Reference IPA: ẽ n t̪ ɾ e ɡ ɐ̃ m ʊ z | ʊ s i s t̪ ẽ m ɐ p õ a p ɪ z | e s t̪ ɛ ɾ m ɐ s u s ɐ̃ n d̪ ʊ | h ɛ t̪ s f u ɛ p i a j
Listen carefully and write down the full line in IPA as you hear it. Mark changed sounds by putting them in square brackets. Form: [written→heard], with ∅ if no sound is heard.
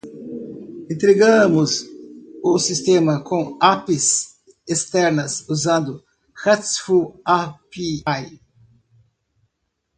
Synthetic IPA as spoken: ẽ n t̪ ɾ e ɡ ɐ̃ m ʊ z | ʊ s i s t̪ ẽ m ɐ [p→k] õ a p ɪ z | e s t̪ ɛ ɾ [m→n] ɐ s u [s→z] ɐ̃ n d̪ ʊ | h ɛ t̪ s f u [ɛ→a] p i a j